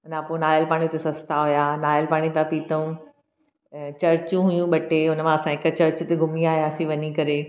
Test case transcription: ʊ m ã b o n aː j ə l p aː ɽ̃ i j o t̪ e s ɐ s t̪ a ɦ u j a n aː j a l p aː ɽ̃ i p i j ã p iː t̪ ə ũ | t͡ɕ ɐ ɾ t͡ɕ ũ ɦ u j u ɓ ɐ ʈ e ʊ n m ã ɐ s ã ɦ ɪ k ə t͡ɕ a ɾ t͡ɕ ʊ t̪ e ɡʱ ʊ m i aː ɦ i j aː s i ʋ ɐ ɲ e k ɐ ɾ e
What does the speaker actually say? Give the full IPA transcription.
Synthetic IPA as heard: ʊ n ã p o n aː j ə l p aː ɽ̃ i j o t̪ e s ɐ s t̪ a ɦ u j a n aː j ə l p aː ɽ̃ i p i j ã p iː t̪ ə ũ | t͡ɕ ɐ ɾ t͡ɕ ũ ɦ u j ũ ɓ ɐ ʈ e ʊ n m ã ɐ s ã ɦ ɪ k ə t͡ɕ ɐ ɾ t͡ɕ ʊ t̪ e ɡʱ ʊ m i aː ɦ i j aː s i ʋ ɐ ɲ i k ɐ ɾ e